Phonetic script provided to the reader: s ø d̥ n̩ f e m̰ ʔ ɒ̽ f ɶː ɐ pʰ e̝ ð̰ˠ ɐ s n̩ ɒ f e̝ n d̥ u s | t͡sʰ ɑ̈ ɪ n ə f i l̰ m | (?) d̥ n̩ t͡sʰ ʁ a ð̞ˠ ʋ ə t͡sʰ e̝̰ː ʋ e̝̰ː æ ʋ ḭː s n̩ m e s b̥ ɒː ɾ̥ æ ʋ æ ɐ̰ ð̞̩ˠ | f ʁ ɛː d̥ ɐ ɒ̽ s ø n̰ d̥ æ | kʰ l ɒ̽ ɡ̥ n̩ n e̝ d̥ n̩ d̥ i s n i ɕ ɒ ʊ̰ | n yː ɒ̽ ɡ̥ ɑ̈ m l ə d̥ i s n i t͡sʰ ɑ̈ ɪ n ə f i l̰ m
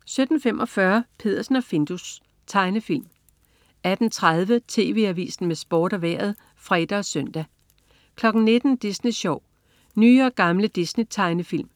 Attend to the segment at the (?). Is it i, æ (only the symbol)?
æ